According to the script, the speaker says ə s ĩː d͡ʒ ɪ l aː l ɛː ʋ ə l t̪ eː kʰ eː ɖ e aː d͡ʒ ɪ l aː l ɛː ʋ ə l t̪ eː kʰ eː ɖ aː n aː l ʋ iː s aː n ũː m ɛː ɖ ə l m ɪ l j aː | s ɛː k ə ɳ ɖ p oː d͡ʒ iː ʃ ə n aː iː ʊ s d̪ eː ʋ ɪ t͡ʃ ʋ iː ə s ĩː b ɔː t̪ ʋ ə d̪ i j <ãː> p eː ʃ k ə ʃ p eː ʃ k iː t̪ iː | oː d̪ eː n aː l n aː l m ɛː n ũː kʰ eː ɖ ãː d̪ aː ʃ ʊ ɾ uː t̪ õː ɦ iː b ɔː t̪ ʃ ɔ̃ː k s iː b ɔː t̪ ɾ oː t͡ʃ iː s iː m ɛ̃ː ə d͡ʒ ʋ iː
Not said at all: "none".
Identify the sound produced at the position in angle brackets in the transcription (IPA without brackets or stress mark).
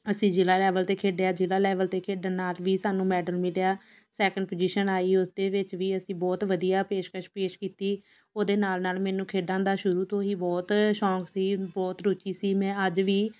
aː